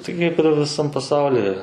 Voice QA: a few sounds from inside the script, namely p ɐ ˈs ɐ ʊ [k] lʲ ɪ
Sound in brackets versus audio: incorrect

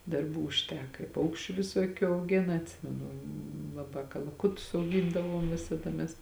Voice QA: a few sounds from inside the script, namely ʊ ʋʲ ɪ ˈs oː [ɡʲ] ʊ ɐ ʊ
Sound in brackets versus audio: incorrect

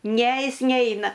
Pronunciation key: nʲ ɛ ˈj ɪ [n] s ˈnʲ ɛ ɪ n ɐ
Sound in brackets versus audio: incorrect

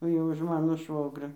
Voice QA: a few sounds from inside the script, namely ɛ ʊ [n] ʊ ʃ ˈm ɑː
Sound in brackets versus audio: incorrect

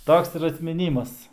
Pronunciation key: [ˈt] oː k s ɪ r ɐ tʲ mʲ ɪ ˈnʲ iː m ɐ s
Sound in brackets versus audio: correct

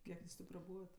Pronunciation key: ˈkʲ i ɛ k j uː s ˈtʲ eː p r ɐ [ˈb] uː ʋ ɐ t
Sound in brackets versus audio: correct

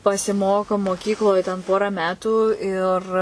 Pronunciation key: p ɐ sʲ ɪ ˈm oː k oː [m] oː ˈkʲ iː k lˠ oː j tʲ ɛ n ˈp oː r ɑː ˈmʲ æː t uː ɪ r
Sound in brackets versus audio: correct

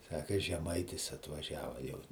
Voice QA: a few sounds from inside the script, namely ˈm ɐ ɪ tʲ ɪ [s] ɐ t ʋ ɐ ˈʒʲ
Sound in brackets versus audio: correct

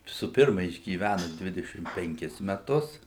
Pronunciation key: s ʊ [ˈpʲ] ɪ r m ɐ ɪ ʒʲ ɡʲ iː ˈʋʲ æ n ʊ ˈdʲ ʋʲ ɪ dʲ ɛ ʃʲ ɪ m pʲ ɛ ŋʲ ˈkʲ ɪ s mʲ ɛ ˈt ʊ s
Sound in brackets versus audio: correct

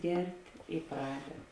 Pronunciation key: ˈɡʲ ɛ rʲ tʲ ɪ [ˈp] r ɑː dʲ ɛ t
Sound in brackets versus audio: correct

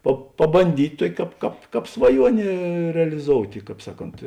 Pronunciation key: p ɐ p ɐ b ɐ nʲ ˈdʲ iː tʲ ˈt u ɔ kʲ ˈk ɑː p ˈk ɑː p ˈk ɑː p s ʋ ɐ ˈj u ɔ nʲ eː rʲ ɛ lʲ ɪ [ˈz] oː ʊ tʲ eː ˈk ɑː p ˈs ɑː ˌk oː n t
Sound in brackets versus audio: correct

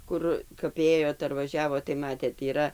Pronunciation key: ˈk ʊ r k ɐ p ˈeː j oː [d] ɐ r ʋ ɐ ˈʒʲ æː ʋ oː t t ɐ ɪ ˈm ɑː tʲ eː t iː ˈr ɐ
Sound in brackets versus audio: incorrect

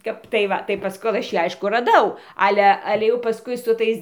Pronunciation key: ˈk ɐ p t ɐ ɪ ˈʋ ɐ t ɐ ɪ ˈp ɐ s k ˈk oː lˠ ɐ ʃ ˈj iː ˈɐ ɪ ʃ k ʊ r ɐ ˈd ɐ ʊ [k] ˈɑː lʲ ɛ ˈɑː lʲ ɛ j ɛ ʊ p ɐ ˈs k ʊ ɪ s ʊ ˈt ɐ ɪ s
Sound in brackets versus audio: incorrect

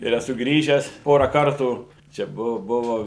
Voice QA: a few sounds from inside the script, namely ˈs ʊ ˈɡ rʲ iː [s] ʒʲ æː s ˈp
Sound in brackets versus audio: incorrect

